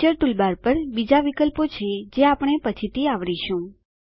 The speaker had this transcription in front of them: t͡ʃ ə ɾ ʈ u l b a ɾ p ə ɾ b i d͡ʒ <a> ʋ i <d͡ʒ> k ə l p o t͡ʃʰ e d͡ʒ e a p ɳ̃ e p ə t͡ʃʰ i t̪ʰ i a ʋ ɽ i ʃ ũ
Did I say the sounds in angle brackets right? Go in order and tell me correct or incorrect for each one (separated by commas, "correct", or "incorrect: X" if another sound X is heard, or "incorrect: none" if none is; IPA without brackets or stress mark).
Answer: correct, incorrect: none